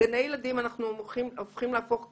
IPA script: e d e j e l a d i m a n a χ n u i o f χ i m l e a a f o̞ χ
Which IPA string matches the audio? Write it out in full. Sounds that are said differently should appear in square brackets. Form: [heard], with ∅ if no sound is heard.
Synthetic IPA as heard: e [n] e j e l a d i m a n a χ n u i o f χ i m l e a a f o̞ χ